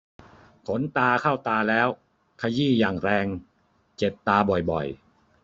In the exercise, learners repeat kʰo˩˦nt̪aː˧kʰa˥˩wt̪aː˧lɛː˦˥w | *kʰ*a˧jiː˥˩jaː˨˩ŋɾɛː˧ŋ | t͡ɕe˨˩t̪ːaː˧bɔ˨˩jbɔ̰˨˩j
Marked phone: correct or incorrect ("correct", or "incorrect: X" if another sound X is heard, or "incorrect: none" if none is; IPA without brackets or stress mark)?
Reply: correct